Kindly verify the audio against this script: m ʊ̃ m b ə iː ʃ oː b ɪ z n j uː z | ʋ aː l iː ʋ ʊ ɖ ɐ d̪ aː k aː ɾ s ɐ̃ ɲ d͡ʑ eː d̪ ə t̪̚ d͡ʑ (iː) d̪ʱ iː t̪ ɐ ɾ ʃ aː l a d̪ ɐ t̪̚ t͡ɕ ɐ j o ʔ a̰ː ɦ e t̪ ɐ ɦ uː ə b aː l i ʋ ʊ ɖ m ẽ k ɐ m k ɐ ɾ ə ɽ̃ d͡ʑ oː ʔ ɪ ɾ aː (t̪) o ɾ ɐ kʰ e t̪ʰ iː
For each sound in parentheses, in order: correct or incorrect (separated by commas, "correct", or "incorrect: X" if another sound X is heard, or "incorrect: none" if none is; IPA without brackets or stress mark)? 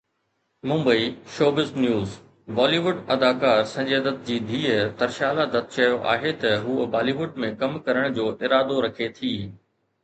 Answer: correct, incorrect: d̪